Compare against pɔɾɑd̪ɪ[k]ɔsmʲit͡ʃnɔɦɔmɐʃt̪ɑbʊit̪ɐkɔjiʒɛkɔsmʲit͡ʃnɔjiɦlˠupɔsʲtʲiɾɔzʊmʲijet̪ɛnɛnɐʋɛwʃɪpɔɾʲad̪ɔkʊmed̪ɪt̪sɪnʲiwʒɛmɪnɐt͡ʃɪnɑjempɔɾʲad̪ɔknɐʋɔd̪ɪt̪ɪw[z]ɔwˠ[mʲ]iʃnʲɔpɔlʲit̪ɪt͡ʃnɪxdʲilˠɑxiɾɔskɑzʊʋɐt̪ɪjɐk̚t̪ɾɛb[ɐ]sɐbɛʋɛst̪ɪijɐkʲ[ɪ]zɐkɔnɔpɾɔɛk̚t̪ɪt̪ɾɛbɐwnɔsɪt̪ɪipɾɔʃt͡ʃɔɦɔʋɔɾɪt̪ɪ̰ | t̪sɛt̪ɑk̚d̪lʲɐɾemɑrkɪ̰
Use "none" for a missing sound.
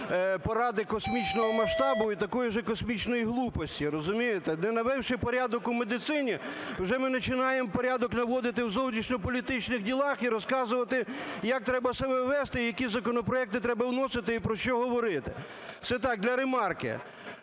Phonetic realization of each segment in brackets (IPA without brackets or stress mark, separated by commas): k, z, nʲ, ɐ, i